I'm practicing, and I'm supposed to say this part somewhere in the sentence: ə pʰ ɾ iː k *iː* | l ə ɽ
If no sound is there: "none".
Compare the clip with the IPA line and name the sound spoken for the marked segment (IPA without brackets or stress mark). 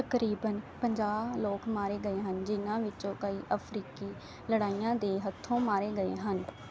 iː